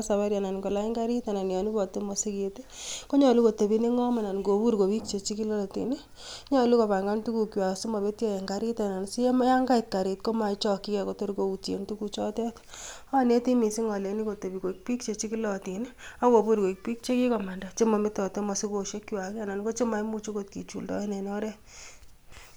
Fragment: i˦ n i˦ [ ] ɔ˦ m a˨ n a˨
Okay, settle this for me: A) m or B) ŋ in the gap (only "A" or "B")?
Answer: B